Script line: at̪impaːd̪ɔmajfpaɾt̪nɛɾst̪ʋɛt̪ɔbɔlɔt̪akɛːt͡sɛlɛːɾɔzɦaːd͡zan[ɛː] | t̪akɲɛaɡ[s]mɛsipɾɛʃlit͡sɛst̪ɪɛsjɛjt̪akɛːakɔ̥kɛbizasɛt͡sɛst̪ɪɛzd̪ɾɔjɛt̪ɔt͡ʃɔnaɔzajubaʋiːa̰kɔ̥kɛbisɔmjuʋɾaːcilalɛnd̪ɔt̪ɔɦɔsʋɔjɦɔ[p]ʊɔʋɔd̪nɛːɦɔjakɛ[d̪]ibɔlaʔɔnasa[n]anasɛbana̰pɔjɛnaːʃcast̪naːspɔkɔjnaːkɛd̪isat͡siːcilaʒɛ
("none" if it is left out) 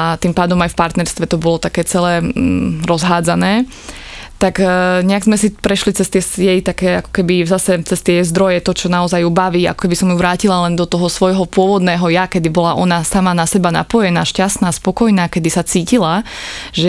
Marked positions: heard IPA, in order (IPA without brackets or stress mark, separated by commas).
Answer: ɛː, z, p, d̪, m